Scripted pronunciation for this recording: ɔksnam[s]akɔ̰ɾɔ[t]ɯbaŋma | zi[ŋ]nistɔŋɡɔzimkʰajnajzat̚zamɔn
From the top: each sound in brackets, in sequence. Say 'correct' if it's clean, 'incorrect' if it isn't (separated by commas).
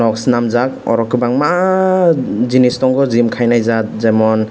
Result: incorrect, incorrect, incorrect